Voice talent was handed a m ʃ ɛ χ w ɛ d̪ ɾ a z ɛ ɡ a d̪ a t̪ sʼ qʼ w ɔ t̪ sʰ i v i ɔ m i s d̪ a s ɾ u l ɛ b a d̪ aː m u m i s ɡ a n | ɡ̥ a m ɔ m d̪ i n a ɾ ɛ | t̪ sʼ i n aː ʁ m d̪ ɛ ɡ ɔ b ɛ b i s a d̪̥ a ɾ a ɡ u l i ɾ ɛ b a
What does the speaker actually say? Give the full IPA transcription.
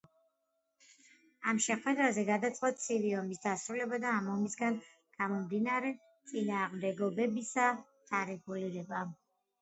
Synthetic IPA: a m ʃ ɛ χ w ɛ d̪ ɾ a z ɛ ɡ a d̪ a t̪ sʼ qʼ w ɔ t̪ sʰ i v i ɔ m i s d̪ a s ɾ u l ɛ b a d̪ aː m ɔ m i s ɡ a n | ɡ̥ a m ɔ m d̪ i n a ɾ ɛ | t̪ sʼ i n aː ʁ m d̪ ɛ ɡ ɔ b ɛ b i s a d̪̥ a ɾ ɛ ɡ u l i ɾ ɛ b a